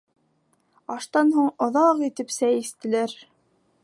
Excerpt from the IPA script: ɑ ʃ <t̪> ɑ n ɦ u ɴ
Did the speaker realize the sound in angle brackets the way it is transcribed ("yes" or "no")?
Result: yes